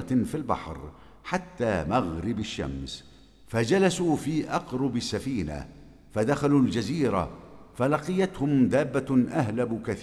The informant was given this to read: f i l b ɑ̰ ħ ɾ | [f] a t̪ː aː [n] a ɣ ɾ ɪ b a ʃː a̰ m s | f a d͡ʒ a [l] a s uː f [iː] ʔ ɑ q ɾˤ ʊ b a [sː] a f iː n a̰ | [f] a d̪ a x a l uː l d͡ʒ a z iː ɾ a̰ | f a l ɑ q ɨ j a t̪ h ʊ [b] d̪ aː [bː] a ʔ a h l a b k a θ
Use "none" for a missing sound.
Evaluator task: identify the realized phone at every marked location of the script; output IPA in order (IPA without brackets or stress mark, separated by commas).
ħ, m, l, iː, sː, f, m, bː